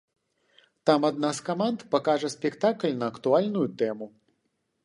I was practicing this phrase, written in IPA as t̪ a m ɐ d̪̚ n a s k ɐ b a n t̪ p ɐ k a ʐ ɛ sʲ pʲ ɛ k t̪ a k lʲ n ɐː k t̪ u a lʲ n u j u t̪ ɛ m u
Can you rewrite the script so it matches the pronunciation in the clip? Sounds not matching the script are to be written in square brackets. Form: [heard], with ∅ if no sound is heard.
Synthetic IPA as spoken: t̪ a m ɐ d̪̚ n a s k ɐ [m] a n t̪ p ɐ k a ʐ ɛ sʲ pʲ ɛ k t̪ a k lʲ n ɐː k t̪ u a lʲ n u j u t̪ ɛ m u